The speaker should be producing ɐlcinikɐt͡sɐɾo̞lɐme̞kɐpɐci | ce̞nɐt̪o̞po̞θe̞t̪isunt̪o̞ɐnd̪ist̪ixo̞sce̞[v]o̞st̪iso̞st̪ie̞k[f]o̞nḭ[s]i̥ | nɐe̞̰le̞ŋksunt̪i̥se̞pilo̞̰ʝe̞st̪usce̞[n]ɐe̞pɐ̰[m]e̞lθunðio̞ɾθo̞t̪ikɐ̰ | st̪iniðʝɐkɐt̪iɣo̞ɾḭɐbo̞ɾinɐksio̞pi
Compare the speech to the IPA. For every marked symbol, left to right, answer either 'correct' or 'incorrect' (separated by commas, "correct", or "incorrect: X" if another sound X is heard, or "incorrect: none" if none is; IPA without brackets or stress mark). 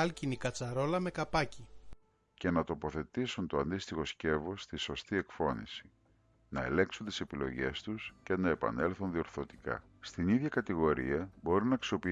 correct, correct, correct, correct, incorrect: n